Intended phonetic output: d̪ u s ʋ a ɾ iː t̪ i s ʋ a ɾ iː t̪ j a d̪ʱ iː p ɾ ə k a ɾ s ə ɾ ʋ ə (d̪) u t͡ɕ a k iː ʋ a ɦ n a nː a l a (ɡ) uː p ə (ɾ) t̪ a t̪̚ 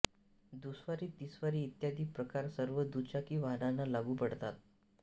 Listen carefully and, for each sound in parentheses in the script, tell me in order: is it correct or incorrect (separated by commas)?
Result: correct, correct, incorrect